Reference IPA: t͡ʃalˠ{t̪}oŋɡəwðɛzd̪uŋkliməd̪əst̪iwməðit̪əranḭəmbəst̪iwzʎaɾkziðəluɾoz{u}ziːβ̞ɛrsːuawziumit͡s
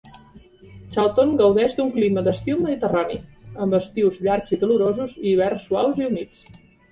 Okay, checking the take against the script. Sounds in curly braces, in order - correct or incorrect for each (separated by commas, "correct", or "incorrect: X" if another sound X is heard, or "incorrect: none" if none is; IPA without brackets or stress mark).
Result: correct, correct